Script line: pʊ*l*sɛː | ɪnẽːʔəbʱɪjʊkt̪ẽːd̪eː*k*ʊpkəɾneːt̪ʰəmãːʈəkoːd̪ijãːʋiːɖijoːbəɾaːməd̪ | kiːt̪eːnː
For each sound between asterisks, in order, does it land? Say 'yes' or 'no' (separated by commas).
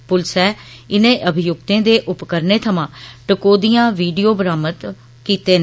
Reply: yes, no